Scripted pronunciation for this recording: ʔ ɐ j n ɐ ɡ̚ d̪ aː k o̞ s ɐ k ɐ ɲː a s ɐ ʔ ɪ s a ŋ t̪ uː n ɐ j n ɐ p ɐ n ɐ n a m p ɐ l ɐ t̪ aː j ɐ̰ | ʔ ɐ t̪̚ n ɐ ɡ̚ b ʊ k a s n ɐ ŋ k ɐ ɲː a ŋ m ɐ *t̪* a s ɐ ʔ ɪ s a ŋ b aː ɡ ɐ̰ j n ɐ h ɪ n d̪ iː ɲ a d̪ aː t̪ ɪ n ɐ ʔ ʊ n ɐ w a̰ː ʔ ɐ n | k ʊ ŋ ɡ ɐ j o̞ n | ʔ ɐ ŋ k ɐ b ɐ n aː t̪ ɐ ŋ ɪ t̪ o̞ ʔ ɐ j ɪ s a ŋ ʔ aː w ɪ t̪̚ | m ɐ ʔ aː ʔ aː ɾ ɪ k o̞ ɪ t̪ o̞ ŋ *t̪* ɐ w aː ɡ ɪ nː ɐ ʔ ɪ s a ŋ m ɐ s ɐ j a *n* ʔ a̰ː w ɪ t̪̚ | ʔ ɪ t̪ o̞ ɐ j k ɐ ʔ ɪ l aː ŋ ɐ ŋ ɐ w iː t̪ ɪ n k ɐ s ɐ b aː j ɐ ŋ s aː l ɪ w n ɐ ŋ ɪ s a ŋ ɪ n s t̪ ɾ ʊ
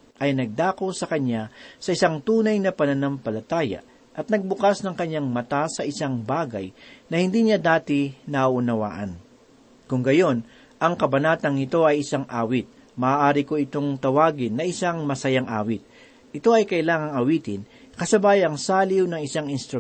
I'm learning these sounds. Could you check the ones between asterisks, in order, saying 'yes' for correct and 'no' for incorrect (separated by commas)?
yes, yes, no